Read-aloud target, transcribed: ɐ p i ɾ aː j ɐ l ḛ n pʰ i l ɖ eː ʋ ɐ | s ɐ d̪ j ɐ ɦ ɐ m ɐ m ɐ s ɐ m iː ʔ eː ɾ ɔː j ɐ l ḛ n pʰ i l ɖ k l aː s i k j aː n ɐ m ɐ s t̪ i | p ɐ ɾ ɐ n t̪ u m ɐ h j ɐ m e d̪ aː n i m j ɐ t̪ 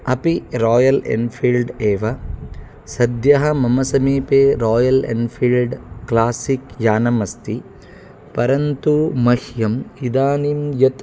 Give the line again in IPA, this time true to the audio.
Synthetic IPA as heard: ɐ p i ɾ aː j ɐ l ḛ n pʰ i l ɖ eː ʋ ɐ | s ɐ d̪ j ɐ ɦ ɐ m ɐ m ɐ s ɐ m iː p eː ɾ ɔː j ɐ l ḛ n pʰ i l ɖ k l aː s i k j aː n ɐ m ɐ s t̪ i | p ɐ ɾ ɐ n t̪ u m ɐ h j ɐ m i d̪ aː n i m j ɐ t̪